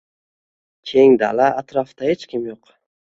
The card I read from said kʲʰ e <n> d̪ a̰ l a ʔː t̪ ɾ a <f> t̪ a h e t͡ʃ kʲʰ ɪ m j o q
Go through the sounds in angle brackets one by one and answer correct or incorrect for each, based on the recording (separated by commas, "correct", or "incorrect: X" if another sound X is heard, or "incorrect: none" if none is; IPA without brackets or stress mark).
incorrect: ŋ, correct